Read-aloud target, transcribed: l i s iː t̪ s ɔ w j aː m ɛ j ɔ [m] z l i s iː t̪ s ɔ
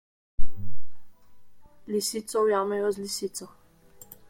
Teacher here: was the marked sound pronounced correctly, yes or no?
no